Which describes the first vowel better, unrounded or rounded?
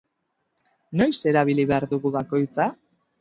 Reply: rounded